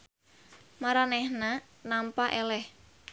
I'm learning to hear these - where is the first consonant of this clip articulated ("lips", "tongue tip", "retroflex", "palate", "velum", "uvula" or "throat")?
lips